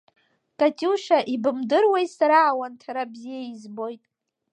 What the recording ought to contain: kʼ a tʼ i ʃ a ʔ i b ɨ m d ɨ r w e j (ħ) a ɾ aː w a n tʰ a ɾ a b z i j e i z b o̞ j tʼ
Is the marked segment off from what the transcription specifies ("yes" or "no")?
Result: yes